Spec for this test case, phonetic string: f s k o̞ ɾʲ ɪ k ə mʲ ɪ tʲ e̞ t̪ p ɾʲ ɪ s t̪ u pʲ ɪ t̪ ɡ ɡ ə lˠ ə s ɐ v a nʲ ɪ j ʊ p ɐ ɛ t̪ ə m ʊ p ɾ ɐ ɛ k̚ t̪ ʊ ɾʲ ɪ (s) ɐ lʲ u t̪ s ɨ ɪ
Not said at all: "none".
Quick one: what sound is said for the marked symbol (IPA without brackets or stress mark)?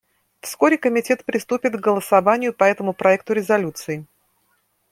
z